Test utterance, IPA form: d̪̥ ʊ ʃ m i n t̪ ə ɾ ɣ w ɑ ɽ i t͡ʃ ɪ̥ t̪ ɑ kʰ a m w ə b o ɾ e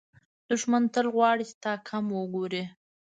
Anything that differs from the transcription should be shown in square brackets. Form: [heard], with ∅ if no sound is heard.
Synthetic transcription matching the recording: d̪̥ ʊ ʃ m [a] n t̪ ə [l] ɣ w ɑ ɽ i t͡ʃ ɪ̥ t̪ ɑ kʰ a m w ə [ɡ] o ɾ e